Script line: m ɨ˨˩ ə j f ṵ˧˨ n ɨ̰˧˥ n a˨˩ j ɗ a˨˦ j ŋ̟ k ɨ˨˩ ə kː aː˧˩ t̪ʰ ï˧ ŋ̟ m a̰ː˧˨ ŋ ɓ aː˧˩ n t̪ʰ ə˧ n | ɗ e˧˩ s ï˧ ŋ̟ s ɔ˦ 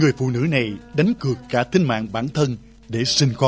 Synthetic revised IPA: ŋ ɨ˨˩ ə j f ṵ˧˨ n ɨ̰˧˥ n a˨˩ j ɗ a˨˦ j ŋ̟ k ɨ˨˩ ə kː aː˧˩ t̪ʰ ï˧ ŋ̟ m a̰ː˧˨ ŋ ɓ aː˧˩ n t̪ʰ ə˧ n | ɗ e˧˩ s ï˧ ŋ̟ x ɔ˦